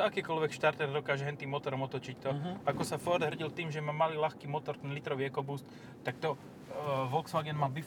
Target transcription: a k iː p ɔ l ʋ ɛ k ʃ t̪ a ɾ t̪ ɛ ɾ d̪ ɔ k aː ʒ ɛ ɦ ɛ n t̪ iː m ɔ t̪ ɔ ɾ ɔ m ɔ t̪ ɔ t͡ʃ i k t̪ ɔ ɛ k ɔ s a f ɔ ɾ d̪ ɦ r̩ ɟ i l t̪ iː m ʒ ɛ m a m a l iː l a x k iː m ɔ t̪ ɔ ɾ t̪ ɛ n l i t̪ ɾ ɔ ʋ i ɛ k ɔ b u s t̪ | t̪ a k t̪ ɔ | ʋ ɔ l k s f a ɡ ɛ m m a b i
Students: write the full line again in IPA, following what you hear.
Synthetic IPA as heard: a k iː k ɔ l ʋ ɛ k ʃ t̪ a ɾ t̪ ɛ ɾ d̪ ɔ k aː ʒ ɛ ɦ ɛ n t̪ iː m ɔ t̪ ɔ ɾ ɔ m ɔ t̪ ɔ t͡ʃ i c t̪ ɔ a k ɔ s a f ɔ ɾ d̪ ɦ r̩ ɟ i l t̪ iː m ʒ ɛ m a m a l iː l a x k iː m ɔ t̪ ɔ ɾ t̪ ɛ n l i t̪ ɾ ɔ ʋ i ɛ k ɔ b u s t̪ | t̪ a k t̪ ɔ | ʋ ɔ l k s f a ɡ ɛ n m a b i